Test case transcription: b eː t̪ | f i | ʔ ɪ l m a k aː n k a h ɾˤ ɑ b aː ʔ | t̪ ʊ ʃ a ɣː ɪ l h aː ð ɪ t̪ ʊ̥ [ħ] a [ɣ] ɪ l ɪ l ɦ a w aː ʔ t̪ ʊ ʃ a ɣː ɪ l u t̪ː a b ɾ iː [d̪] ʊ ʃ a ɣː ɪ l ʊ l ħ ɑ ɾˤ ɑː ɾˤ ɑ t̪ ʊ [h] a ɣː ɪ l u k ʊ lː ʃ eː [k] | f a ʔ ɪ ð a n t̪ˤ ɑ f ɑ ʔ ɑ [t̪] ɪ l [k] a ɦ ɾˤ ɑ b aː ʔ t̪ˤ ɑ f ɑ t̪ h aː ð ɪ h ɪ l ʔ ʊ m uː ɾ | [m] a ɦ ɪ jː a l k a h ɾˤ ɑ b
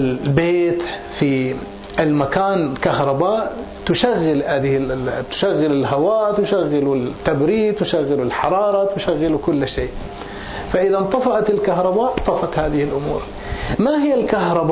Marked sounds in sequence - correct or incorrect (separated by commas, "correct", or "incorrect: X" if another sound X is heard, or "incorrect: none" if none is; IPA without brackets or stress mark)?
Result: incorrect: ʃ, incorrect: ɣː, incorrect: t̪, incorrect: ʃ, incorrect: ʔ, correct, correct, correct